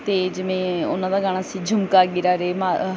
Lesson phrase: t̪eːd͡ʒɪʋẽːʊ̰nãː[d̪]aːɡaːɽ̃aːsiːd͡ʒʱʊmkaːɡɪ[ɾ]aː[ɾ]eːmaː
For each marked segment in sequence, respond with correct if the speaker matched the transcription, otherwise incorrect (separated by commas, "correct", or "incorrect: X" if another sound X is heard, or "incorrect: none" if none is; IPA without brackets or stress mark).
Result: correct, correct, correct